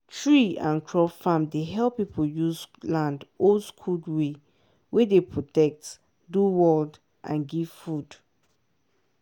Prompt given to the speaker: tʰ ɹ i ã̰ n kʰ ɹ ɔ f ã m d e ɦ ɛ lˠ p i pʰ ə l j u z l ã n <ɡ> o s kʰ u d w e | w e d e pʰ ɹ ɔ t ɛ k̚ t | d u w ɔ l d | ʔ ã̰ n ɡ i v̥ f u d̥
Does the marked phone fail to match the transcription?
yes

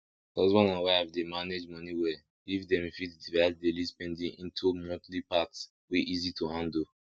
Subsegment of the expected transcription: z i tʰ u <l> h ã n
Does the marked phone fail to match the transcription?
yes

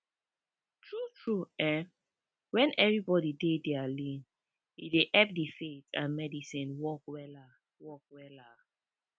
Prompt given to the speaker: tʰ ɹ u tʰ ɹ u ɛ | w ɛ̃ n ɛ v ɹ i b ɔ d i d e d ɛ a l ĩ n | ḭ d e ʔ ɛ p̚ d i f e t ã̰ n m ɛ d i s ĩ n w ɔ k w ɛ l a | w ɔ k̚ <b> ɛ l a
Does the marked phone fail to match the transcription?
yes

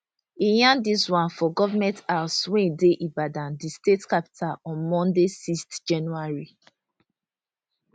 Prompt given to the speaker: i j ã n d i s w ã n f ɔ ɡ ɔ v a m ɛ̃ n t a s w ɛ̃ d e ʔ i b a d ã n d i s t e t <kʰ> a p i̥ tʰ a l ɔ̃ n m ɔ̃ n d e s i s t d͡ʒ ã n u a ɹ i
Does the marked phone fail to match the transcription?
yes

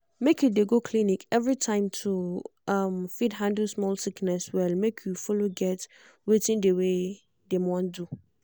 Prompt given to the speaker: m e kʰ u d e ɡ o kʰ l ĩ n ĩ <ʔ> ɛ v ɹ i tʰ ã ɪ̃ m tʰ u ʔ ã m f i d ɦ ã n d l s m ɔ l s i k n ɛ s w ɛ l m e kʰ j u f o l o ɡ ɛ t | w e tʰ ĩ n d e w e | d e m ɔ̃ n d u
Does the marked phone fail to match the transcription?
yes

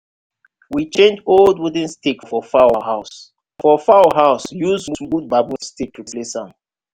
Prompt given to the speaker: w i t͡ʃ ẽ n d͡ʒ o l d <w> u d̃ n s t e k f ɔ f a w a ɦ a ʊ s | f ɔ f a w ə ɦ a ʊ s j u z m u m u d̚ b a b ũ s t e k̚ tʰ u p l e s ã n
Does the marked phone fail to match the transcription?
no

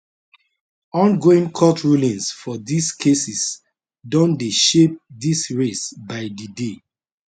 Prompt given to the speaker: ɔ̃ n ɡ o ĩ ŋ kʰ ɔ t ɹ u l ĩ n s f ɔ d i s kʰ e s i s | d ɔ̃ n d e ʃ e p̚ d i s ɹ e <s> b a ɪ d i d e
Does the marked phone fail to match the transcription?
no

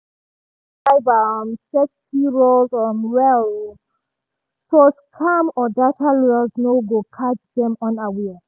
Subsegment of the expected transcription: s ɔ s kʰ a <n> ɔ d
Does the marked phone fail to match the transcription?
yes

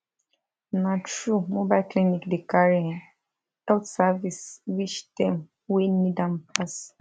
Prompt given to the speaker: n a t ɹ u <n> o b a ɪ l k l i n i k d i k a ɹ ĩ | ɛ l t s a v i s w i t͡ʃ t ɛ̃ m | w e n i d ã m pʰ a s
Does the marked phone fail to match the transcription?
yes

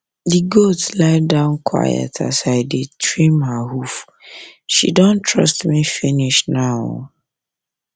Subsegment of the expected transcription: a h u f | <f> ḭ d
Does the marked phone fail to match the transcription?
yes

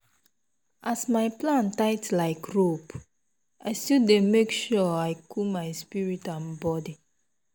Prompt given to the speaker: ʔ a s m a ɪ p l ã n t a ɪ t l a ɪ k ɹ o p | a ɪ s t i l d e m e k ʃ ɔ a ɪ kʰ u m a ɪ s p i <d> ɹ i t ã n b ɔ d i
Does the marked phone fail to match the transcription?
yes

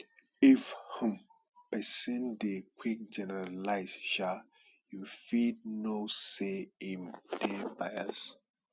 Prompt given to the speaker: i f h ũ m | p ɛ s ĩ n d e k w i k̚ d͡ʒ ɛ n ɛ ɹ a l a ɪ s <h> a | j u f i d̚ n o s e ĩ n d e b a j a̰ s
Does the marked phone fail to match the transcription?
yes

